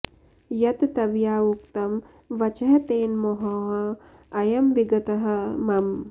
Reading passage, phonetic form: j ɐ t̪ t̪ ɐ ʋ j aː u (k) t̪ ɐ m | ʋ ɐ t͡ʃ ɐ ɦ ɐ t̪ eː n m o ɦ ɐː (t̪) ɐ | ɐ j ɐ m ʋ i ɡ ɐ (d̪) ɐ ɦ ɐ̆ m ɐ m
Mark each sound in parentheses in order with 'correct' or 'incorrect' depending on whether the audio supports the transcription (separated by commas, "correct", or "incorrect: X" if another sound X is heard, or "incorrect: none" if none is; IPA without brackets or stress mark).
correct, incorrect: none, incorrect: t̪